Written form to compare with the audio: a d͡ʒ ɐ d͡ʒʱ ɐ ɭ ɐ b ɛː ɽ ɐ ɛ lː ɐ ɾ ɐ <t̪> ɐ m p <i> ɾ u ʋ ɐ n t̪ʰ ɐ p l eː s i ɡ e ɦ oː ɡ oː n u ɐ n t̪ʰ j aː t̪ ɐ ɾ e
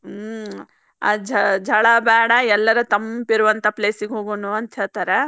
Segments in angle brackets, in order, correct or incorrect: correct, correct

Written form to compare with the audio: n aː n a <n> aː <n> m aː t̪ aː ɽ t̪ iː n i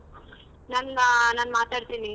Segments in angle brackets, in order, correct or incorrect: correct, correct

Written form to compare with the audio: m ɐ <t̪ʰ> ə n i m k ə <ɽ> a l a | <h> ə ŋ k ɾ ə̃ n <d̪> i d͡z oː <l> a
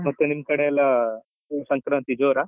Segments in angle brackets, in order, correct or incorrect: incorrect, correct, incorrect, incorrect, incorrect

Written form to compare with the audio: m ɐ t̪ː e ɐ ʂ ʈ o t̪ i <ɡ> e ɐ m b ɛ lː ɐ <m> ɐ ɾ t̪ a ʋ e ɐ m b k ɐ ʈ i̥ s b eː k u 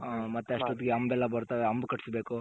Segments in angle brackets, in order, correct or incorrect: correct, incorrect

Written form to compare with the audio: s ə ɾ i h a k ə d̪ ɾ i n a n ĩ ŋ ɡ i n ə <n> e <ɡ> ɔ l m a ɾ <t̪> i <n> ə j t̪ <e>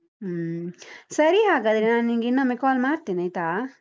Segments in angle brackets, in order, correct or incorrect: incorrect, incorrect, correct, correct, incorrect

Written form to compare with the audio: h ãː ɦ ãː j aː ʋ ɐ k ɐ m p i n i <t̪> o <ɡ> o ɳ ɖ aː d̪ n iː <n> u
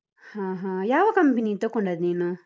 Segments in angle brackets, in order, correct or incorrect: correct, incorrect, correct

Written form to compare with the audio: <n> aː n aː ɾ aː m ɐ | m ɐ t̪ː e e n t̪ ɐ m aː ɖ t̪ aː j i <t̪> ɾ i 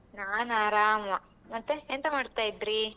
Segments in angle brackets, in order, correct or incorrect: correct, incorrect

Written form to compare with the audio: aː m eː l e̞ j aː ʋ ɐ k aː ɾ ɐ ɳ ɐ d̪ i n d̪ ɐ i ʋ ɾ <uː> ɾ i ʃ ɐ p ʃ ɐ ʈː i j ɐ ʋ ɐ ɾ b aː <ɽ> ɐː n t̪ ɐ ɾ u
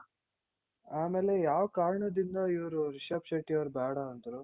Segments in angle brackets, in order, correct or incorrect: incorrect, correct

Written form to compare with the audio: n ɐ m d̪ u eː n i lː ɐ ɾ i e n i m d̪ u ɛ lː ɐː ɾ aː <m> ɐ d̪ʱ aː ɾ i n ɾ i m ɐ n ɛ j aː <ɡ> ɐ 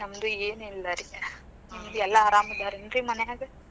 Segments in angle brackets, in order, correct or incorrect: correct, correct

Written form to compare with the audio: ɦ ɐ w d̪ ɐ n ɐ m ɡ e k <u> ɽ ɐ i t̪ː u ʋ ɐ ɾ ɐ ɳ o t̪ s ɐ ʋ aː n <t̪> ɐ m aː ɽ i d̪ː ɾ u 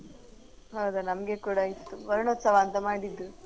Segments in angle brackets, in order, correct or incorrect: incorrect, correct

